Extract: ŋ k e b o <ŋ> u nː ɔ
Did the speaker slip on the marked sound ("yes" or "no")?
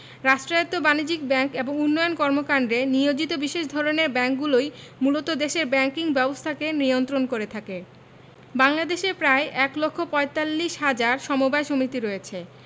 no